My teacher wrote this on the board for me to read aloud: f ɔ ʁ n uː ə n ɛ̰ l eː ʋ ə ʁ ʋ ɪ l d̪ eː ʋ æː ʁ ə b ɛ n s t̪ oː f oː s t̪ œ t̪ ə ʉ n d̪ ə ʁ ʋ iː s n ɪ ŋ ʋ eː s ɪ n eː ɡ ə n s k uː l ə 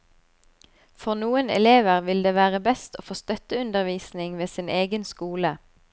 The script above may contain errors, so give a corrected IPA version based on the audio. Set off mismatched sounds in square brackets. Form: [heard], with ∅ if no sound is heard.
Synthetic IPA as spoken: f ɔ ʁ n uː ə n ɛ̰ l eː ʋ ə ʁ ʋ ɪ l d̪ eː ʋ æː ʁ ə b ɛ [∅] s t̪ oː f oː s t̪ œ t̪ ə ʉ n d̪ ə ʁ ʋ iː s n ɪ ŋ ʋ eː s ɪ n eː ɡ ə n s k uː l ə